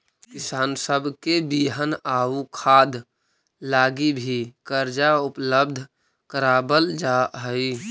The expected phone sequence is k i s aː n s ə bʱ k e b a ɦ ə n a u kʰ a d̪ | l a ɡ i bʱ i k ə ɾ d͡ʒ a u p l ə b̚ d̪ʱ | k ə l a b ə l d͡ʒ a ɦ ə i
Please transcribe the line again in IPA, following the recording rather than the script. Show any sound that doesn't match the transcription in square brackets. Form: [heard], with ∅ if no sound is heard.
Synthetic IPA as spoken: k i s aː n s ə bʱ k e b [i] ɦ ə n a u kʰ a d̪ | l a ɡ i bʱ i k ə ɾ d͡ʒ a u p l ə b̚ d̪ʱ | k ə [ɾ] a b ə l d͡ʒ a ɦ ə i